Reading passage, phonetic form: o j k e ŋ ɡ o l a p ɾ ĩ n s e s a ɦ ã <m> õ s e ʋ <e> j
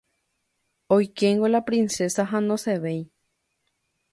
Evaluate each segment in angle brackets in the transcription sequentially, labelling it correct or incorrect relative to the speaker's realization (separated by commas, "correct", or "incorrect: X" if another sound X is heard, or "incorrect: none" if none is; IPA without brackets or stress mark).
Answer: incorrect: n, correct